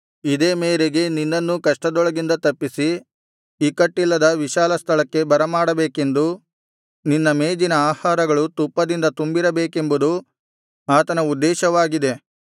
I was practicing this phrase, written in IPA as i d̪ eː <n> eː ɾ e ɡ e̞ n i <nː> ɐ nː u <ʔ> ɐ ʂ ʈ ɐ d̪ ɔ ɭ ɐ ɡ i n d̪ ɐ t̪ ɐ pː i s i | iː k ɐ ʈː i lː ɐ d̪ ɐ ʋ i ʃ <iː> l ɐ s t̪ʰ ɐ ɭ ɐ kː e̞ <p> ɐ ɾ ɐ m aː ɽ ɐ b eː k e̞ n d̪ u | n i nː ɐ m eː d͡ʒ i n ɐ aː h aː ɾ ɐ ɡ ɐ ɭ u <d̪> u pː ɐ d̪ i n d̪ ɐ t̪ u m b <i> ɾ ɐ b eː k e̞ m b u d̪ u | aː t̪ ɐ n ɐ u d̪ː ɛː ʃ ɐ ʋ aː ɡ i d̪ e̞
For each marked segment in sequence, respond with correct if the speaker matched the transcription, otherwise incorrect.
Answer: incorrect: m, correct, incorrect: k, incorrect: aː, incorrect: b, incorrect: t̪, correct

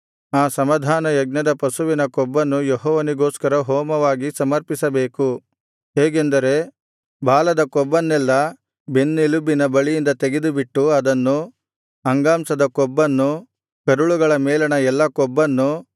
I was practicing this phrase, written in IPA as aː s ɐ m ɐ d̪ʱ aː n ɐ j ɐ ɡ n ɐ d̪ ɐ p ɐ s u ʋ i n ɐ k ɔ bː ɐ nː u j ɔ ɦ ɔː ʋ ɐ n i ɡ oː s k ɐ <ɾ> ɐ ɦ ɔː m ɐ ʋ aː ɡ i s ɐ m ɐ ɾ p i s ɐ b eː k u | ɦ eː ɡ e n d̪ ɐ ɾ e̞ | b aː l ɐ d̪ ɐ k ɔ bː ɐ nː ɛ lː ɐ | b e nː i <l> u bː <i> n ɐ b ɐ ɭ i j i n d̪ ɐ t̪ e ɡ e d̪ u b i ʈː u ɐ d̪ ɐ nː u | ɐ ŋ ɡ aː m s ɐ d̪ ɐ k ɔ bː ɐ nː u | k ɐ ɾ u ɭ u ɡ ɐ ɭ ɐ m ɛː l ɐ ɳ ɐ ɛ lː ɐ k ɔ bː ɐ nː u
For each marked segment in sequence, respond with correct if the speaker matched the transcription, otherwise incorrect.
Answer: correct, correct, correct

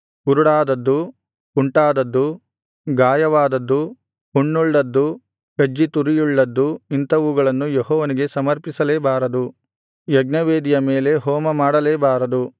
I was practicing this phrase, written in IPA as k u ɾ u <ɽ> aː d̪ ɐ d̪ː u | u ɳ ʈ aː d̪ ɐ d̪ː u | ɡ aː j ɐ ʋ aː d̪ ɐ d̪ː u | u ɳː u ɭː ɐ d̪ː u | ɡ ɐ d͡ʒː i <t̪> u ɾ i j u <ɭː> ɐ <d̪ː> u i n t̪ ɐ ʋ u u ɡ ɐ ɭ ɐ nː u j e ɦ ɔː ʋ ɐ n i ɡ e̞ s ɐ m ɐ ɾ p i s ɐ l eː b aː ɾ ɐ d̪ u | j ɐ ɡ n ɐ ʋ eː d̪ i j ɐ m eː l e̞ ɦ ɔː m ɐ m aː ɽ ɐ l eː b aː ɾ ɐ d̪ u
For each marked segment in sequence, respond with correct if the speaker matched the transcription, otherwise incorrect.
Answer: correct, correct, correct, correct

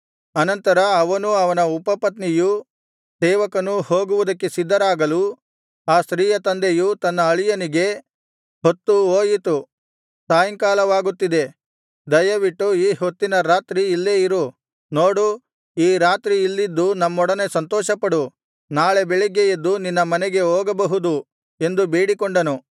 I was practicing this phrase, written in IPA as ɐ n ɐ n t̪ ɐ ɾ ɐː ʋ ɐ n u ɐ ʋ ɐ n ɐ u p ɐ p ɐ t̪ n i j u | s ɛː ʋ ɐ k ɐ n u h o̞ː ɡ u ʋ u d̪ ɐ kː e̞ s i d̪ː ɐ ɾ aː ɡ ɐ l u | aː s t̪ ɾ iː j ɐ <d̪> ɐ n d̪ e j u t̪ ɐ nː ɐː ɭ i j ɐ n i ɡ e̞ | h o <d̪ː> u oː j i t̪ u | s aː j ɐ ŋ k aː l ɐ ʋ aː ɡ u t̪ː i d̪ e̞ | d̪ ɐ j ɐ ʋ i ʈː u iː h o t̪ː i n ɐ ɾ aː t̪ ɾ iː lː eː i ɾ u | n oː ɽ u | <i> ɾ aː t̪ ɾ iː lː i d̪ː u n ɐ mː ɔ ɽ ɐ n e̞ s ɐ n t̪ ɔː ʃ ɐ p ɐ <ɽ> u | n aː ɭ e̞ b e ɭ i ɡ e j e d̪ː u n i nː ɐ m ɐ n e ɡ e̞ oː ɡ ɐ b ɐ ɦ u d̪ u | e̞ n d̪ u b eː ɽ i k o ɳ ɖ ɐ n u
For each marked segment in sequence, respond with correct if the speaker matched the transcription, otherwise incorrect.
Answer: incorrect: t̪, incorrect: t̪ː, incorrect: iː, correct

